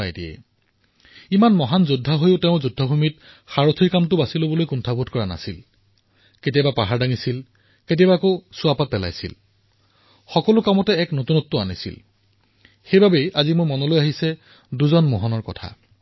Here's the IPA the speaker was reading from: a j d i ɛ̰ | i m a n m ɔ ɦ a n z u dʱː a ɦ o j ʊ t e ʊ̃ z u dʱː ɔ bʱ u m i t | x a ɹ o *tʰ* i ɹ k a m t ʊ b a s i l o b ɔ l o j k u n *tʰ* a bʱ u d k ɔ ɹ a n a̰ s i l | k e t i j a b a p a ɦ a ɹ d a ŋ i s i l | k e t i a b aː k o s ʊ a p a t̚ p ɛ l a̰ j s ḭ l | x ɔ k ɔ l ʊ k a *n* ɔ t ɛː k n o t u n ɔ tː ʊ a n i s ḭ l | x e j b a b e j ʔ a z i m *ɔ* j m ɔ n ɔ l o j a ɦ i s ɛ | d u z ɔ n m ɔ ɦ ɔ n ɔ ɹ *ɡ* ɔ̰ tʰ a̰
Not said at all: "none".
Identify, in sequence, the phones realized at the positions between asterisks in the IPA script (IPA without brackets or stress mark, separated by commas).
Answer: tʰ, tʰ, m, o, k